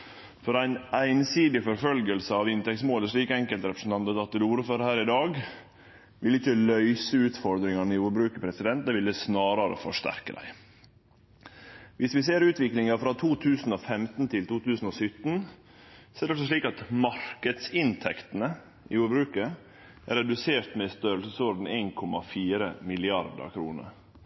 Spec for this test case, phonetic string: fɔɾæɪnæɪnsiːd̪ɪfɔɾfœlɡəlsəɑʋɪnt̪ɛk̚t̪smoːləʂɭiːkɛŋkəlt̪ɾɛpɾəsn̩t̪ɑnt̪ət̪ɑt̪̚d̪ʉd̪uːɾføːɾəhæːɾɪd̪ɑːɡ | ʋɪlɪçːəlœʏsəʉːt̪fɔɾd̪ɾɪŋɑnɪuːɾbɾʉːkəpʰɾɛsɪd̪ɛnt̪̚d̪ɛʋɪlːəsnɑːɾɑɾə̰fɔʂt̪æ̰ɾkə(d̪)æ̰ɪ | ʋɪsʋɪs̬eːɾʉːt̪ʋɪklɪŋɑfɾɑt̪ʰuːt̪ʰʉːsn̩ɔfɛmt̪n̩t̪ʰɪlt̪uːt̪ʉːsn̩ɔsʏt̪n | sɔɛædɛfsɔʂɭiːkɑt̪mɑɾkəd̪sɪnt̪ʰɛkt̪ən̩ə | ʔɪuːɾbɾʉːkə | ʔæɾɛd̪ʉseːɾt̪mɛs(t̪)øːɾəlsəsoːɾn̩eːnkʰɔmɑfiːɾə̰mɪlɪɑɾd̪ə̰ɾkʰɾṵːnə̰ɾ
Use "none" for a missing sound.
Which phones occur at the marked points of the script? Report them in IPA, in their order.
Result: d̪, t̪

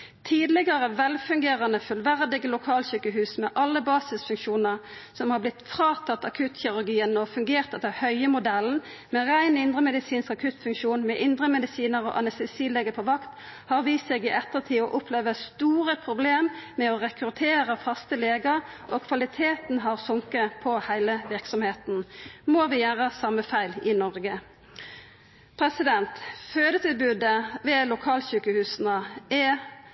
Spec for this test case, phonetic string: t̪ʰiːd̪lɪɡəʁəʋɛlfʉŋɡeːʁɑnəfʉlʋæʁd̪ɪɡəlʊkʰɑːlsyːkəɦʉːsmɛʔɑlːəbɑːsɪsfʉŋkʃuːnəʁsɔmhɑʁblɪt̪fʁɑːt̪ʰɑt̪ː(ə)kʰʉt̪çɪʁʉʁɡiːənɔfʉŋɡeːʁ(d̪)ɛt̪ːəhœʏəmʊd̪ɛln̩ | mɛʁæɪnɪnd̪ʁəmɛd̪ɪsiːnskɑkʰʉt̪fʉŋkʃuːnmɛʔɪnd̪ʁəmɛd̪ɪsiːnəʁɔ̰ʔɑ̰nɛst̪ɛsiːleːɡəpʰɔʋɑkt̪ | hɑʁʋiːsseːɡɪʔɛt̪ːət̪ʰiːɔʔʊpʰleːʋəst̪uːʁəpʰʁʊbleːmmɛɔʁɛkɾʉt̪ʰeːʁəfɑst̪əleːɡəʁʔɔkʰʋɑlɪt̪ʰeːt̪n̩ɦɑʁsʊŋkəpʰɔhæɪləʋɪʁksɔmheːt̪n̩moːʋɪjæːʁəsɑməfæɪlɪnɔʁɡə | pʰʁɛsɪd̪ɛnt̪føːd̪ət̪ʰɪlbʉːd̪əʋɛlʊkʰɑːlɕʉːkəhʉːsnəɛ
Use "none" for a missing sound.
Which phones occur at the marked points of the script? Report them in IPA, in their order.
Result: ɑ, t̪

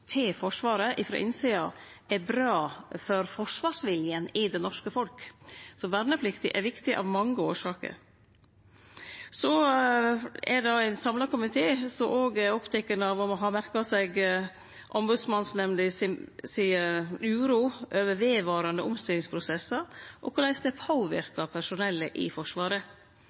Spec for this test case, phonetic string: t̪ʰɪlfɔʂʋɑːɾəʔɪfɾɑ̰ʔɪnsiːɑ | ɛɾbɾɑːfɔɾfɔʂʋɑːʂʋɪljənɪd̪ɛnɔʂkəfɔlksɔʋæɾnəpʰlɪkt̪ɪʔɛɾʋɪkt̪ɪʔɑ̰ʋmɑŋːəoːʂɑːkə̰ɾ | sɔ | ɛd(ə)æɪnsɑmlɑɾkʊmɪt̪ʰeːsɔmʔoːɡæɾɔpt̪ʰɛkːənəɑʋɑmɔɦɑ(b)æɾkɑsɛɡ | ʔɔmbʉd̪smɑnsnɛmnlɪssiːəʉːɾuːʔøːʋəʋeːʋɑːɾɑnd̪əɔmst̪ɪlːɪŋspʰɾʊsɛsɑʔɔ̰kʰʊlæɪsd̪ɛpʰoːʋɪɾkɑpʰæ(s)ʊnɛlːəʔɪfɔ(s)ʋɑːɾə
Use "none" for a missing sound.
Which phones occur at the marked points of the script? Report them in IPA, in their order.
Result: ɑ, m, ʂ, ʂ

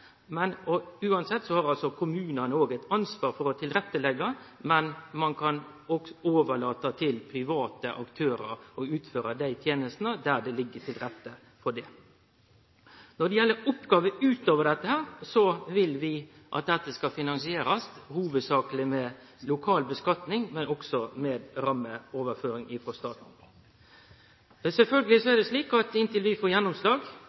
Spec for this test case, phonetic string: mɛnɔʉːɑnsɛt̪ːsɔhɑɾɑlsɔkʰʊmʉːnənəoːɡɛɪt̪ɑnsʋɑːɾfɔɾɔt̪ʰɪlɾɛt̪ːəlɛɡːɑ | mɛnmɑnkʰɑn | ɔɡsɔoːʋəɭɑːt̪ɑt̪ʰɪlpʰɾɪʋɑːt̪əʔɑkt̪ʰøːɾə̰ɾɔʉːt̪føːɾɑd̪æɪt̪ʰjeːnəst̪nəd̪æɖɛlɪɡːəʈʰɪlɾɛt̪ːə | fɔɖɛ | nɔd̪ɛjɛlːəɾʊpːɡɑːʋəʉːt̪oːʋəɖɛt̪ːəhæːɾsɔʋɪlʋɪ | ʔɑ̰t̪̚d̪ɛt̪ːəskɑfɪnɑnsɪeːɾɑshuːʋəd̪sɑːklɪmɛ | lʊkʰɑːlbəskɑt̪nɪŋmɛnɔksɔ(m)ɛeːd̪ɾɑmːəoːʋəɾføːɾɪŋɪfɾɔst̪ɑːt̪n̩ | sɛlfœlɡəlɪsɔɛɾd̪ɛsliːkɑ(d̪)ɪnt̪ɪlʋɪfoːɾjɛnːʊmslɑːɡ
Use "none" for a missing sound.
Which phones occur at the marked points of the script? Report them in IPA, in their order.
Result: m, t̪

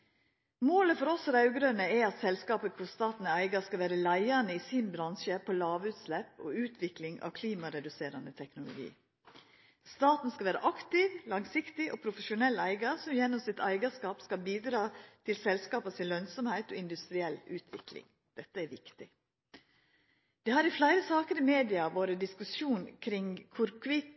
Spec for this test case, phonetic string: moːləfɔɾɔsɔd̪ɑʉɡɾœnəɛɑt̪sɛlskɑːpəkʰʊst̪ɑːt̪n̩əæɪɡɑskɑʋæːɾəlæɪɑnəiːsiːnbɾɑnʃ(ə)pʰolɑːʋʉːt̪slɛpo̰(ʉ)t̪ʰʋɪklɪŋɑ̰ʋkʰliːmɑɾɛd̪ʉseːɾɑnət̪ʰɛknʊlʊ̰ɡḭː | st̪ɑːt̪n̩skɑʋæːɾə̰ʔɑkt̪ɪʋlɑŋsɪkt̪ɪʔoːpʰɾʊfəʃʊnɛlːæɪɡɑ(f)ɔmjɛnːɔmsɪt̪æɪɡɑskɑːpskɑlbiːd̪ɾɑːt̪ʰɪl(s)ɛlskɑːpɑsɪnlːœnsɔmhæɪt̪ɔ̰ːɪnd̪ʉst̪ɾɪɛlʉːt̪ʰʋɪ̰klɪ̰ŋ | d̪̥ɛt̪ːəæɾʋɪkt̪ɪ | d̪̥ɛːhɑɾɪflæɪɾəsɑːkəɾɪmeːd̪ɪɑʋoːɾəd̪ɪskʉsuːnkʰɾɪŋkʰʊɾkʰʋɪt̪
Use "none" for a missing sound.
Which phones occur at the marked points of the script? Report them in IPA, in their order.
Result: ə, ʉː, s, s

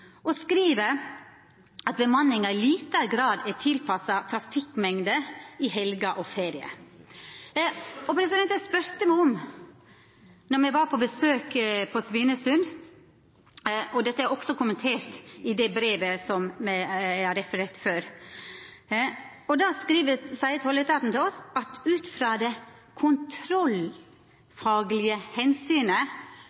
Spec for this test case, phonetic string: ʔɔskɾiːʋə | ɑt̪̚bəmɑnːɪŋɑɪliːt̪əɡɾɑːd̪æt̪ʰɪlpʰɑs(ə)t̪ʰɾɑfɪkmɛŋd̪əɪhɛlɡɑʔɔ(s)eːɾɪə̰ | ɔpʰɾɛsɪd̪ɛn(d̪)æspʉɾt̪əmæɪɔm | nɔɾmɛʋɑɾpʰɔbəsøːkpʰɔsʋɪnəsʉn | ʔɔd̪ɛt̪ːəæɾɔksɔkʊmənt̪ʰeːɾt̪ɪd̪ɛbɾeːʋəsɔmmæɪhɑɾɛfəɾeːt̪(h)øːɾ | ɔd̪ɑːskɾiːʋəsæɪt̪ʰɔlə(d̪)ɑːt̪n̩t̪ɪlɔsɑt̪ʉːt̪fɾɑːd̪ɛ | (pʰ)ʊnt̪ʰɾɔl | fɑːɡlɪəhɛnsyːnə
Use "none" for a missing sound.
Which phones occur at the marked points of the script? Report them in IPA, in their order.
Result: ɑ, f, t̪, f, t̪, kʰ

